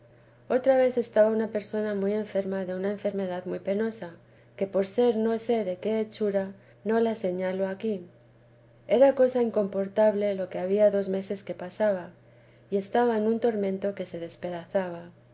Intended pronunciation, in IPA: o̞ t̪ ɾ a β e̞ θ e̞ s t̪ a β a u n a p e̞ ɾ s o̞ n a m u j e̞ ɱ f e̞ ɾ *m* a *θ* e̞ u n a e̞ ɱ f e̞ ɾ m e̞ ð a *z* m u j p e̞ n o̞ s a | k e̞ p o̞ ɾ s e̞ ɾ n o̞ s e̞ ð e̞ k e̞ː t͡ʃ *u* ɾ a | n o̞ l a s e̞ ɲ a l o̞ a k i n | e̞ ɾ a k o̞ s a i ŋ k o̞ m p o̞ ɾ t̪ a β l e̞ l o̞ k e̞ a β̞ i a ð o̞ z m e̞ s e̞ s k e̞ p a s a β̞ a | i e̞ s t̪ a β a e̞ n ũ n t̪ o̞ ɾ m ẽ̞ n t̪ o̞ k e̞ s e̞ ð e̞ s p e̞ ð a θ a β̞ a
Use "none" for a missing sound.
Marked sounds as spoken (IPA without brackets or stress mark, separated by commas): m, ð, ð, u